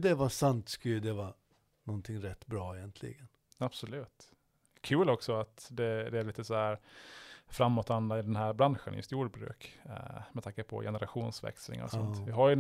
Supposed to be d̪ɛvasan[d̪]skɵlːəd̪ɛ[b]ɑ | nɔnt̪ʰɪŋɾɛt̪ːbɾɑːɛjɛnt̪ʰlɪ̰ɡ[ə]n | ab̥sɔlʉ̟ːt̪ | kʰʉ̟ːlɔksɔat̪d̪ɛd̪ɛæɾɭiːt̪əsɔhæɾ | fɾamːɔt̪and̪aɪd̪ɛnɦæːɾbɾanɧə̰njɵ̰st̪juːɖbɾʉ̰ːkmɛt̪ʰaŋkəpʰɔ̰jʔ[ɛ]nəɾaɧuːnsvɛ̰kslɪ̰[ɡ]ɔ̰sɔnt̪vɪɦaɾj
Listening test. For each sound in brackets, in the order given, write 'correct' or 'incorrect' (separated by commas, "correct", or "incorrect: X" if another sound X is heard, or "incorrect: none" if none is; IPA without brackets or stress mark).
incorrect: t̪, incorrect: v, correct, correct, incorrect: ŋ